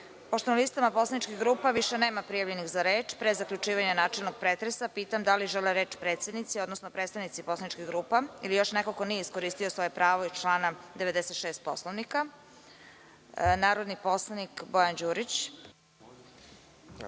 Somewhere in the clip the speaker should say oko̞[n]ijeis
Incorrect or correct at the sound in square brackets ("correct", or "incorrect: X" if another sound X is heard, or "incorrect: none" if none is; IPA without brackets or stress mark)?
correct